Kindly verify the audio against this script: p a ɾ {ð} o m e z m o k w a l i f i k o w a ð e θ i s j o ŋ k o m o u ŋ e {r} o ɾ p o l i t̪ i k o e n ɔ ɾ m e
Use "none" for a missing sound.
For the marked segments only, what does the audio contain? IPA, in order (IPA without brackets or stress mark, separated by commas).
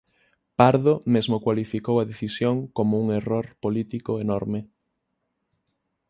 ð, r